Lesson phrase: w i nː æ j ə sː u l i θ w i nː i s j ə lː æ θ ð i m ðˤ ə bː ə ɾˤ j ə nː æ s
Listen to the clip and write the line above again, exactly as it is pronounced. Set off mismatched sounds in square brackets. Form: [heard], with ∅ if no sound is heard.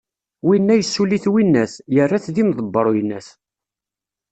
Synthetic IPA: w i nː æ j ə sː u l i θ w i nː [æ] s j ə [rː] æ θ ð i m ðˤ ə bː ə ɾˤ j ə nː æ s